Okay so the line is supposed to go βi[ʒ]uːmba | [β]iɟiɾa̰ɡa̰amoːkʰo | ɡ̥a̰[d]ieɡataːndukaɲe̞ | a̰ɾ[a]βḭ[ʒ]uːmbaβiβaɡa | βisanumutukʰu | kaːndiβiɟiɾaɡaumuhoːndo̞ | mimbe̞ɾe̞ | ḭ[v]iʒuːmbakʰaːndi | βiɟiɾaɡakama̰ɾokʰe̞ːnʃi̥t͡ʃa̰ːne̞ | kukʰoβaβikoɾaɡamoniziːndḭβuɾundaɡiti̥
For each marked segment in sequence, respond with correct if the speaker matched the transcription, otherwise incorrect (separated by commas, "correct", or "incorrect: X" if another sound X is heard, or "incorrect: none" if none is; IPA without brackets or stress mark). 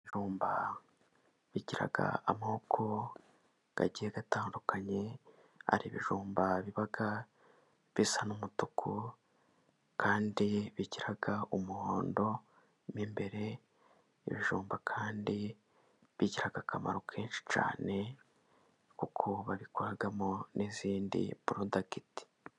correct, correct, incorrect: ɟ, incorrect: i, correct, incorrect: β